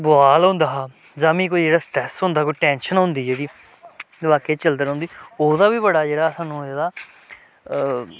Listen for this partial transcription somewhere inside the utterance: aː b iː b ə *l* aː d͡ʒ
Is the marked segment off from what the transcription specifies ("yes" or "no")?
yes